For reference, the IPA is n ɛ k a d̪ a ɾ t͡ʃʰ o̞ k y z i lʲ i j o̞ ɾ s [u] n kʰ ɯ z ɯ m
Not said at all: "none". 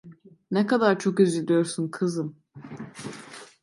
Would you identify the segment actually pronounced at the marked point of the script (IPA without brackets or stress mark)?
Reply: u